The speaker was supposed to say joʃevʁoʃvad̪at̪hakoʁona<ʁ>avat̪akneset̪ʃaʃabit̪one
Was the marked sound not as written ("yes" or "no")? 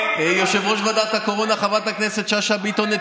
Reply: yes